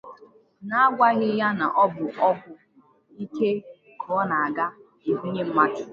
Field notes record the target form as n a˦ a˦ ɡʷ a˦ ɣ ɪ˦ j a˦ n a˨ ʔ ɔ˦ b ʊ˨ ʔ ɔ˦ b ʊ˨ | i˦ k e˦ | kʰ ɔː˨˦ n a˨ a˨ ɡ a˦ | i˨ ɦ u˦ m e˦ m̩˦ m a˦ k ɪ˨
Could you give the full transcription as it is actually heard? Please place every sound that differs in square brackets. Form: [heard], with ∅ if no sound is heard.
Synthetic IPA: n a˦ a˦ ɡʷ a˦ ɣ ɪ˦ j a˦ n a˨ ʔ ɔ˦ b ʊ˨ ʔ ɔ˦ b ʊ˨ | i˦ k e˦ | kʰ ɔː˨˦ n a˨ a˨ ɡ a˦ | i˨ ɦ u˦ [ɲ] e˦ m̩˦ m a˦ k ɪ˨